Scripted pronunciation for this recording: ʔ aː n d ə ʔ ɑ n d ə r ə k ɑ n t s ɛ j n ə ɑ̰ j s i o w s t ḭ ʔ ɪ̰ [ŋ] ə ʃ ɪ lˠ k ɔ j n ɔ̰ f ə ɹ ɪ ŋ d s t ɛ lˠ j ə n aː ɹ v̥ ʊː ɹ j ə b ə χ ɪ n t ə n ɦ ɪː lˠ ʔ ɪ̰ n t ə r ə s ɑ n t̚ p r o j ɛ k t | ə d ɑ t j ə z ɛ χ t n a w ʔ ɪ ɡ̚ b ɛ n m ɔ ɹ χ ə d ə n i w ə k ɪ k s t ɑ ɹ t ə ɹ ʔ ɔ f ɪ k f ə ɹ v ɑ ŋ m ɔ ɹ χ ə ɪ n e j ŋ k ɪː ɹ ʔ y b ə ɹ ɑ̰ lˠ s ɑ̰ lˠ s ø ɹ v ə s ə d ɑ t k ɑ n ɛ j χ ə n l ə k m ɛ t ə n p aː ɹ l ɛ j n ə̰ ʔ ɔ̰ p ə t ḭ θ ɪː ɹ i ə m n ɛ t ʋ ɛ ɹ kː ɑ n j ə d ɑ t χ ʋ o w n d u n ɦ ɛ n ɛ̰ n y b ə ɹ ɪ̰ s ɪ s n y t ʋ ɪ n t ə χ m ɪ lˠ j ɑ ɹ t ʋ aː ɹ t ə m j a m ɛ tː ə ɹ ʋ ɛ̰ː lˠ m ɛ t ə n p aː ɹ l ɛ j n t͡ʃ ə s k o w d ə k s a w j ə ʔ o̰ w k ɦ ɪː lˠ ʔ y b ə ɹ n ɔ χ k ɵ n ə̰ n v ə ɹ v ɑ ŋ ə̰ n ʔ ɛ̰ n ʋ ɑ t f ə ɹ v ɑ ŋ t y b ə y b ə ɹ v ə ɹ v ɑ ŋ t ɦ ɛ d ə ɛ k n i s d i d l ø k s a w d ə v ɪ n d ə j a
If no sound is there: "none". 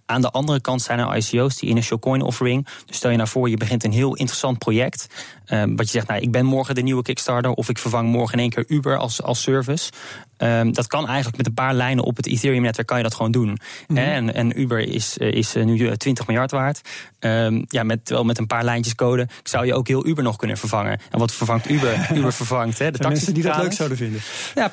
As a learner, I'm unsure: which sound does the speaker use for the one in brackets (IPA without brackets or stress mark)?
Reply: n